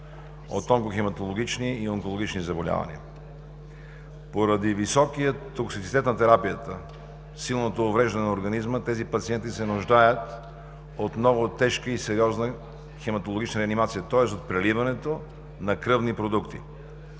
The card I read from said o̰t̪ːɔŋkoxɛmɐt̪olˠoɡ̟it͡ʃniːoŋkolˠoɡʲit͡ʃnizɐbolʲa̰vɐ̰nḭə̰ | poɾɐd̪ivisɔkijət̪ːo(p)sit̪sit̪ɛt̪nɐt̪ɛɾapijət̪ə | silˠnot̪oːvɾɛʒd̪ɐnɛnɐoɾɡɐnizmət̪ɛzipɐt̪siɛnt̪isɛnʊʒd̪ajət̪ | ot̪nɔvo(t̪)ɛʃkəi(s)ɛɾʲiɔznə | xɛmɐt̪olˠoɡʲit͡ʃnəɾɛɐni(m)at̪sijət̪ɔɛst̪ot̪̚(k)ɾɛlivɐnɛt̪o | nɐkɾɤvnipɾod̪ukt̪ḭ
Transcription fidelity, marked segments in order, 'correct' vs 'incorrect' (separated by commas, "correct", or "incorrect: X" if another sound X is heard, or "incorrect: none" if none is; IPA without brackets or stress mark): incorrect: k, correct, correct, correct, incorrect: p